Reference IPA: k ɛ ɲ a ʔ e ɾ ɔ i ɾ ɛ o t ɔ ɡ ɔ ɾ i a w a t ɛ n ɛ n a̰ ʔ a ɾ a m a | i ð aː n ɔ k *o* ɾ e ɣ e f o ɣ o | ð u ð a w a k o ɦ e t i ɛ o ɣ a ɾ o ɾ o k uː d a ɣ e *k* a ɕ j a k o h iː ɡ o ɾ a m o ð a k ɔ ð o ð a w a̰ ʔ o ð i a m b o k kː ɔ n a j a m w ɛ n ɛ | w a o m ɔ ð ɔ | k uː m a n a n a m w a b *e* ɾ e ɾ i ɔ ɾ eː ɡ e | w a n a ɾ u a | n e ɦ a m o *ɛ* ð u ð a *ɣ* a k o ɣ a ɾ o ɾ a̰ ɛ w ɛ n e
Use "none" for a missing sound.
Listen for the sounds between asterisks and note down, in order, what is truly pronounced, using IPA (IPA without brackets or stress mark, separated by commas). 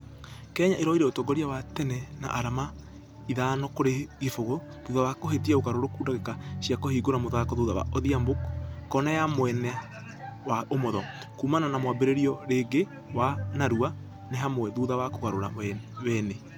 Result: o, k, e, ɛ, w